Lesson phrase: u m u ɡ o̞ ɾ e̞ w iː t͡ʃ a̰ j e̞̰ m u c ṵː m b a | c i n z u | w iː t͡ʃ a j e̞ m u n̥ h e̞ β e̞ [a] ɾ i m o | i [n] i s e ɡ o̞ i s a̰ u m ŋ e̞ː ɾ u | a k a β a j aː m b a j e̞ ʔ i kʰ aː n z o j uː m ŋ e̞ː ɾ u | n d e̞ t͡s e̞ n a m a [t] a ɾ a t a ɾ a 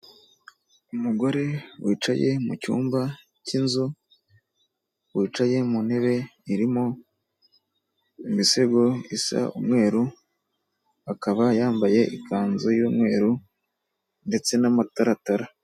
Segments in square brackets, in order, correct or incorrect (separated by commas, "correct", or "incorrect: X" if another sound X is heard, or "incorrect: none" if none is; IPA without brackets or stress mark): incorrect: i, incorrect: m, correct